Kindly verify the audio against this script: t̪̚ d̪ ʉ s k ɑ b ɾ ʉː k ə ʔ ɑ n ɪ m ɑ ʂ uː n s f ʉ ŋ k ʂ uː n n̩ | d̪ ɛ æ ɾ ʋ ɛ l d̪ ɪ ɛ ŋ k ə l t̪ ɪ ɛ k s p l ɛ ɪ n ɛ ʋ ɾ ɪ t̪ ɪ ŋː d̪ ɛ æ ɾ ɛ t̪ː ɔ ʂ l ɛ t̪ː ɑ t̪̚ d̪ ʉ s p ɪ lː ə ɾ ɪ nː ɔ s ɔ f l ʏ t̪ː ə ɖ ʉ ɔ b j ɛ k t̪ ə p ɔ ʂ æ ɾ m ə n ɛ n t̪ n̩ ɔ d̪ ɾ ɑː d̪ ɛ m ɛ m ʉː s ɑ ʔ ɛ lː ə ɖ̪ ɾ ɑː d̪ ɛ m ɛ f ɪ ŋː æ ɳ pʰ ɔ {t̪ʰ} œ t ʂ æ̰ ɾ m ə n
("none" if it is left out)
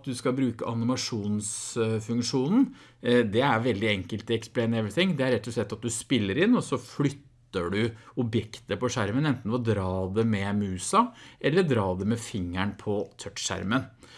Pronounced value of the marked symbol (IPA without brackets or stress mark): t̪ʰ